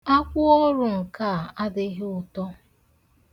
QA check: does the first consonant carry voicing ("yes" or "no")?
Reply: no